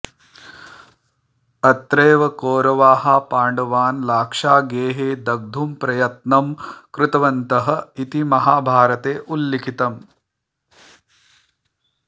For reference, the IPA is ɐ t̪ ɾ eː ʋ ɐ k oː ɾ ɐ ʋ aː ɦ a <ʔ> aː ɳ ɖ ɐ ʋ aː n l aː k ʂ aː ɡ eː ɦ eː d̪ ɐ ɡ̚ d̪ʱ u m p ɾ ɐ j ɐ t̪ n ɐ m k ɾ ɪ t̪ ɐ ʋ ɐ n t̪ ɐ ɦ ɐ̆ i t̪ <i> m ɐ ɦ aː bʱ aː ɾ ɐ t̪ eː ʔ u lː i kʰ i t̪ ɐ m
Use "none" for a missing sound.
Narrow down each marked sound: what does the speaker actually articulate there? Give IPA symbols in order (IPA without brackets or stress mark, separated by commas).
p, i